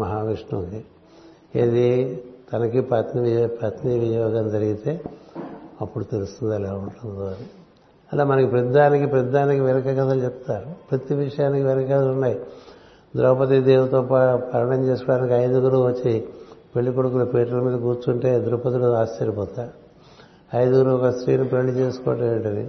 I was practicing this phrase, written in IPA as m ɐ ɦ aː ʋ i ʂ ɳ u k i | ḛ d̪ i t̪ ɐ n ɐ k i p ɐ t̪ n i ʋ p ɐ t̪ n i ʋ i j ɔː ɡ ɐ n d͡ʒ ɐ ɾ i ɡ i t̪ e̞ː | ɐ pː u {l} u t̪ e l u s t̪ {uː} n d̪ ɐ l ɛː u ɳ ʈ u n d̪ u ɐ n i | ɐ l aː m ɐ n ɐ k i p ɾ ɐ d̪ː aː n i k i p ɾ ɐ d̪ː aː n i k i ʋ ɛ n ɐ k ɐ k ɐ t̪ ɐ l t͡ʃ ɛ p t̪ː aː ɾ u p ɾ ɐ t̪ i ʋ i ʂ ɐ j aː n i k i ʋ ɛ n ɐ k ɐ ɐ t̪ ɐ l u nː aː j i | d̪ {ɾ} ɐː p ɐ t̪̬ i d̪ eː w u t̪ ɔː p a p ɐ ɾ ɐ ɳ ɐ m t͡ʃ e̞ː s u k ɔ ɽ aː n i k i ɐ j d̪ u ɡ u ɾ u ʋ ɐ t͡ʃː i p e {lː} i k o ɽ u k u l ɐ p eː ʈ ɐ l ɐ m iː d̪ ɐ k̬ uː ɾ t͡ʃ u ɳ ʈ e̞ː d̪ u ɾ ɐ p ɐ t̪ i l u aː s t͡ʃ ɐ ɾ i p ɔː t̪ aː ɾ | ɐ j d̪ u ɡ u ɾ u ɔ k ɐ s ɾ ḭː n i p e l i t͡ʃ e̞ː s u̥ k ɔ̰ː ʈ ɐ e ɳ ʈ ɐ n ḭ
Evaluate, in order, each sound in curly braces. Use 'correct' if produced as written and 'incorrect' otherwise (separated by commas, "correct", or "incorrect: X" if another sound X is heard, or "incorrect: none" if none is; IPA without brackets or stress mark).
incorrect: ɽ, incorrect: u, correct, incorrect: ɭː